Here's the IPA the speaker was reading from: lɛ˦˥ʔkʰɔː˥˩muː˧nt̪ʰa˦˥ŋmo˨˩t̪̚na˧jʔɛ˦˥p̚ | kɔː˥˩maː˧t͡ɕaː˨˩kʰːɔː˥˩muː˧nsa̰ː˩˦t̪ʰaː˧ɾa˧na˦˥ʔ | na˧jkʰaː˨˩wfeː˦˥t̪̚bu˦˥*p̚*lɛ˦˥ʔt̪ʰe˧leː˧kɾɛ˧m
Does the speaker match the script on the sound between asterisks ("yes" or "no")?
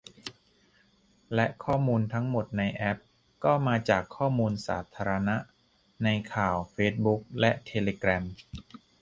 no